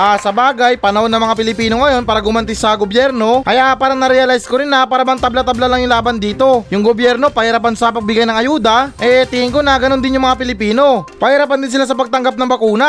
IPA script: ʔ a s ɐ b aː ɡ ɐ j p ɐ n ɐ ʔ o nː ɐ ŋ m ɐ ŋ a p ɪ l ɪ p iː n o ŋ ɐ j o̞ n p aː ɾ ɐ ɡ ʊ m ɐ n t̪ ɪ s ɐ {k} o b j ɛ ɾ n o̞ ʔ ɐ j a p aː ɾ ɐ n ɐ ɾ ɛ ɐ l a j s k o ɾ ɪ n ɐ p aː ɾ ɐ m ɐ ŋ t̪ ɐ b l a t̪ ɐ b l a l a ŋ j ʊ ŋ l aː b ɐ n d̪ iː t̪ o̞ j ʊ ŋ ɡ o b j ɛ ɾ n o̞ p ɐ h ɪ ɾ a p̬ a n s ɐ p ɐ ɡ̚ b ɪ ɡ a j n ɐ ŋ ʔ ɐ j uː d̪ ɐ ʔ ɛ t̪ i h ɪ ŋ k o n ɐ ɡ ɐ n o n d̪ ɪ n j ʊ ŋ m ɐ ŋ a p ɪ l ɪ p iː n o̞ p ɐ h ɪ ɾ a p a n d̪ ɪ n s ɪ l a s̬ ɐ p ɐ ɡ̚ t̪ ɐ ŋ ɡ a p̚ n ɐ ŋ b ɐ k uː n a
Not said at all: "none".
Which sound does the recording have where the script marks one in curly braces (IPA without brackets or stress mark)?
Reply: ɡ